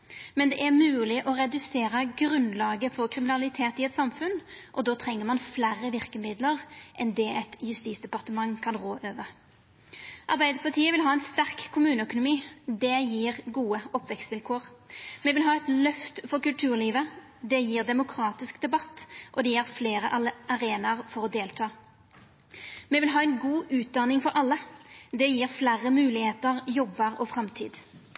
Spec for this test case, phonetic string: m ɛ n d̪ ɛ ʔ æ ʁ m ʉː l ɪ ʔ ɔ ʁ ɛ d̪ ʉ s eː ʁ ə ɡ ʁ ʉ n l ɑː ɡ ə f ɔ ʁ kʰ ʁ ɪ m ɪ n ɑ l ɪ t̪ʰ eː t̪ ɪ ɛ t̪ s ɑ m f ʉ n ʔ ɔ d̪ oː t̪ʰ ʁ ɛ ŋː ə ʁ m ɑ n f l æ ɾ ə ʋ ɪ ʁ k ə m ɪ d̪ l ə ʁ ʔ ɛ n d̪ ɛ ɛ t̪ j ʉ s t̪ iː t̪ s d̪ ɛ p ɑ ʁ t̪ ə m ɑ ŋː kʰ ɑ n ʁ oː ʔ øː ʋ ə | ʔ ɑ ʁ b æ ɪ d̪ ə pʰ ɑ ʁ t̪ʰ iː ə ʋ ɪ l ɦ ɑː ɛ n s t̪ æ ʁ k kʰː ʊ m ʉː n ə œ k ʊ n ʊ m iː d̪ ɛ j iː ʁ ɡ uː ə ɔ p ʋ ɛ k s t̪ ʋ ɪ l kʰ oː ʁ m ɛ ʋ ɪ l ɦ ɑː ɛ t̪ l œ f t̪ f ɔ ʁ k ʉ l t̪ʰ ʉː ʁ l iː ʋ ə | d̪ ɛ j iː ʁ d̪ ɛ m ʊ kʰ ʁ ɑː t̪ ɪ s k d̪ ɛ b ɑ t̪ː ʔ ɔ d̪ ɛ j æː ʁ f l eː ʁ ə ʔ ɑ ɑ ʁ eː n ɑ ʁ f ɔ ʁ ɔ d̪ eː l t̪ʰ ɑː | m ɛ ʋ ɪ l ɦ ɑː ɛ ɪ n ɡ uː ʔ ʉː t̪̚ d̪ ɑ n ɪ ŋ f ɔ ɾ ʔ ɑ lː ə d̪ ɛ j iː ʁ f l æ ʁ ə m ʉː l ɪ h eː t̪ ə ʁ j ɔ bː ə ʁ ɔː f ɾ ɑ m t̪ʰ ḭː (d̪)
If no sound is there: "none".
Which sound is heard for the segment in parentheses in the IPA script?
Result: d̪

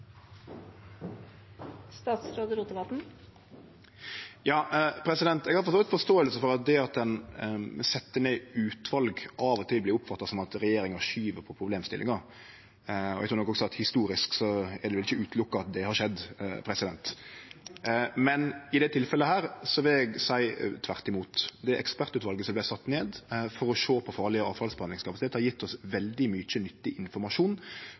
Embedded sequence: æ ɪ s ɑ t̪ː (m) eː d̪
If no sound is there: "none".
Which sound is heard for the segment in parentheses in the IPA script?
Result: n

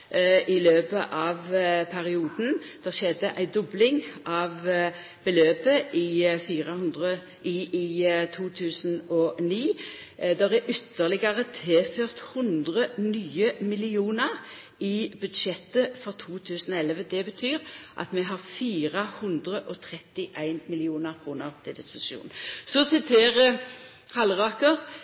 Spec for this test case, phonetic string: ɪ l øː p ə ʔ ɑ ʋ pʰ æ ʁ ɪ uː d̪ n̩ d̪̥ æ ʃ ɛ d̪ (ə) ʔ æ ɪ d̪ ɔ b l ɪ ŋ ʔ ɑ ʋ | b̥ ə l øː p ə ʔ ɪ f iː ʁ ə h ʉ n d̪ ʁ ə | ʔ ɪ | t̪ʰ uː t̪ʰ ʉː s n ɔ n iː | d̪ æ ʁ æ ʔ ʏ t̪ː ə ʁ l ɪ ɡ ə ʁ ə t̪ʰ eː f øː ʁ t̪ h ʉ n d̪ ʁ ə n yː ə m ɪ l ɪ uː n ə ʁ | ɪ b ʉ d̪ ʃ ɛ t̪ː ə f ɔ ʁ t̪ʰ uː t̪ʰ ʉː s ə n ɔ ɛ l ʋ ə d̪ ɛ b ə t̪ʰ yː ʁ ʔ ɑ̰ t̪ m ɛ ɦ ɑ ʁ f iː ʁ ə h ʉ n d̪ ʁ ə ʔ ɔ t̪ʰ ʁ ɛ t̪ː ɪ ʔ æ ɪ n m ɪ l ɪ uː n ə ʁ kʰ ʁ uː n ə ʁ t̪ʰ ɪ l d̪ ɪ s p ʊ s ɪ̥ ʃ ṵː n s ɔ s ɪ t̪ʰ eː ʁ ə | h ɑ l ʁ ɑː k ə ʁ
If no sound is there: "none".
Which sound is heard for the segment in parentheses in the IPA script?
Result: ə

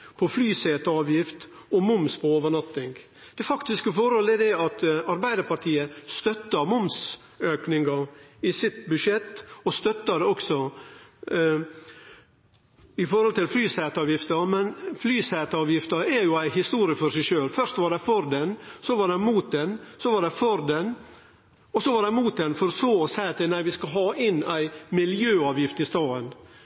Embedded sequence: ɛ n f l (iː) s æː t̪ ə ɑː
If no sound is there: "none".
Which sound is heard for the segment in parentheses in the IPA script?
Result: yː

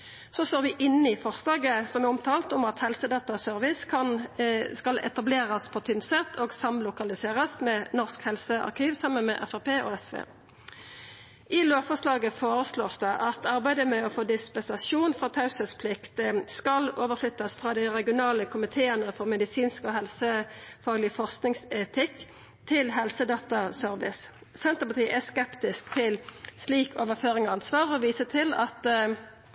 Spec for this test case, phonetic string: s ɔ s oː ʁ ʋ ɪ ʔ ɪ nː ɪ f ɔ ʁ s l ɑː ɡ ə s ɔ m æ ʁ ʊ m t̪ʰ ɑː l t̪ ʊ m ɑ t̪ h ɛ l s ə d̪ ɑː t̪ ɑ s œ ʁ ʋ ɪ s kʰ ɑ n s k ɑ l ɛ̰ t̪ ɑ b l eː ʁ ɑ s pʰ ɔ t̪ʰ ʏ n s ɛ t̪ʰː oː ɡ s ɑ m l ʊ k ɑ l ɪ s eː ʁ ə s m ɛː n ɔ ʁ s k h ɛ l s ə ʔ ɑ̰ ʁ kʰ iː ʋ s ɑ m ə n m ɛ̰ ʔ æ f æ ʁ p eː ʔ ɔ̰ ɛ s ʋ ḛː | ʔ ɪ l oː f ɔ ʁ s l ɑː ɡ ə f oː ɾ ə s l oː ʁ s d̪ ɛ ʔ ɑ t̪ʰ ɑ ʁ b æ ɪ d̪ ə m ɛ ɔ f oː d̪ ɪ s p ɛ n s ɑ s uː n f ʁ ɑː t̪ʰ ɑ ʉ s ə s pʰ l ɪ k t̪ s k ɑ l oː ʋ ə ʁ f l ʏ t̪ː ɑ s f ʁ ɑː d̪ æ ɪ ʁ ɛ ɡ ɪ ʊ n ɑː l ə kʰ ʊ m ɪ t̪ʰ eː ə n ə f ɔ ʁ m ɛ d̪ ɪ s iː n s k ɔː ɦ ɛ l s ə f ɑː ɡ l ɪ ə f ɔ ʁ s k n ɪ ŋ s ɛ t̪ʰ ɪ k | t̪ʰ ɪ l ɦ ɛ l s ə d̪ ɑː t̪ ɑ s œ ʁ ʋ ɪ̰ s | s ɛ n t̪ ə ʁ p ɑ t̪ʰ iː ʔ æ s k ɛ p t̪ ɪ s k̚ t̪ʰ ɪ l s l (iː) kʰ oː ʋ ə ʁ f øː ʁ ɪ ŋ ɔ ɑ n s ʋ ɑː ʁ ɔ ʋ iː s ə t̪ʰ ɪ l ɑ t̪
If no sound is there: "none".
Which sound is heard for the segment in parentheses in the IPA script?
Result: iː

